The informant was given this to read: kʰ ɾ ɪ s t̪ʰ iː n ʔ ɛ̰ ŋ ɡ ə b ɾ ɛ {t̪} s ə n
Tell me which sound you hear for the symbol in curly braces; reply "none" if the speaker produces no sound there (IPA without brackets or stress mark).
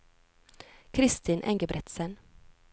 t̪